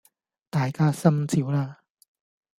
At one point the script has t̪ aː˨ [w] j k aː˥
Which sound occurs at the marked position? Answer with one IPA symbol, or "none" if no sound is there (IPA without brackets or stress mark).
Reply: none